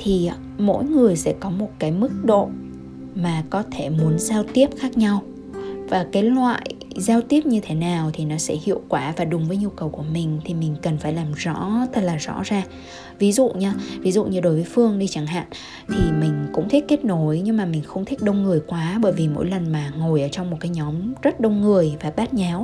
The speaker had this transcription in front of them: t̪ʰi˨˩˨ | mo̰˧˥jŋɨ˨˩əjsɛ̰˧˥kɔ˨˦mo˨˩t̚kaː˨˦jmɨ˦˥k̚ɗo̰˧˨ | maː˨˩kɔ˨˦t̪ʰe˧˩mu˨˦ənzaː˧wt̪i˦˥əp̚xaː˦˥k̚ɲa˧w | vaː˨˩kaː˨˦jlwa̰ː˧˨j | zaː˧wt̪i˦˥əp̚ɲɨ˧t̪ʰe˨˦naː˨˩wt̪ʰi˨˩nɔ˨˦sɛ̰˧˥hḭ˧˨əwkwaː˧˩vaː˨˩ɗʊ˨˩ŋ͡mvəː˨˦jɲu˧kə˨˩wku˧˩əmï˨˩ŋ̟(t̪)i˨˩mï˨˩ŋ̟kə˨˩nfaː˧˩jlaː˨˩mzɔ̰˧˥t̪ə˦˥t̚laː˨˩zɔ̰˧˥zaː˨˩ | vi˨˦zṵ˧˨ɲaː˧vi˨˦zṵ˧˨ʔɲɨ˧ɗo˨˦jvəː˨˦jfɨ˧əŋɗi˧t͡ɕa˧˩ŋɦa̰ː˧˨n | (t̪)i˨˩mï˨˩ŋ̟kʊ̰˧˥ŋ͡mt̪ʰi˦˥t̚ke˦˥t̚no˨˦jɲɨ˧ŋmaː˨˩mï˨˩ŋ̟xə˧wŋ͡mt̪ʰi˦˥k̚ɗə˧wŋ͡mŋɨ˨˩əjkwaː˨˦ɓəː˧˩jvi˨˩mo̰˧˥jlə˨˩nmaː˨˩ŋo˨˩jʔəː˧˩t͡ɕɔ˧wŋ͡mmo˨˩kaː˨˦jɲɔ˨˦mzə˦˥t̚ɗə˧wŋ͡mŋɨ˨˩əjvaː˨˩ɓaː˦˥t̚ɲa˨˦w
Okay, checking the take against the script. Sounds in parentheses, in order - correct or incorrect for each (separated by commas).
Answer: incorrect, incorrect